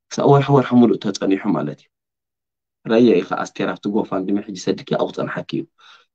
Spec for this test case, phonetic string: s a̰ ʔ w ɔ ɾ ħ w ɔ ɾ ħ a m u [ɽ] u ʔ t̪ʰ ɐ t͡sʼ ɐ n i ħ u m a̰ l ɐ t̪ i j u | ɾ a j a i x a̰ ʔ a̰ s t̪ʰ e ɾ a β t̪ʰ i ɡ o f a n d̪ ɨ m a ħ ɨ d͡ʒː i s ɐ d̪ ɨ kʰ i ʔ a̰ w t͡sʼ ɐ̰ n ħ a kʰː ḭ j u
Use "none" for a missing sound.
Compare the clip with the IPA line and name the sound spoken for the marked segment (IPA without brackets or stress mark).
l